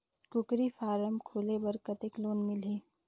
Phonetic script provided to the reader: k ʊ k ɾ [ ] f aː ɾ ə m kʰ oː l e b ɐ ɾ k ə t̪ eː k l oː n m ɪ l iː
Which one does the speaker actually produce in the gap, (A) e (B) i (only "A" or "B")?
B